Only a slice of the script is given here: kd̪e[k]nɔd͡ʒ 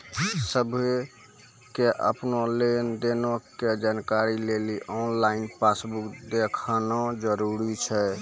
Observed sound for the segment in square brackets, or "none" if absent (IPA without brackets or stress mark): kʰ